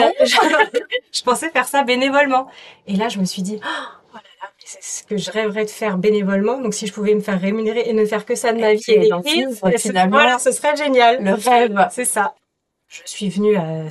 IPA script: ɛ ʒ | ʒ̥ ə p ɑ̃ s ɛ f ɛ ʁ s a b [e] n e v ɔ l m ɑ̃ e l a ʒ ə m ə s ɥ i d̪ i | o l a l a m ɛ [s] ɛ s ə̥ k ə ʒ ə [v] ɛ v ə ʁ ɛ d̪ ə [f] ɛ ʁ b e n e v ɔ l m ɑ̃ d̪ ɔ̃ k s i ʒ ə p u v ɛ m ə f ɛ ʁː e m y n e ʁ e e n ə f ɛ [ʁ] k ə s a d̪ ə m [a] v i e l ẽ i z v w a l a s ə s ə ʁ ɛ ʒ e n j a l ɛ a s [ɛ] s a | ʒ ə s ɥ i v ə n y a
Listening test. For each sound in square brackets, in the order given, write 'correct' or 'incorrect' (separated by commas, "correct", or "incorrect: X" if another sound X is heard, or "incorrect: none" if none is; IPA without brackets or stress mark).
correct, correct, incorrect: ʁ, correct, correct, correct, correct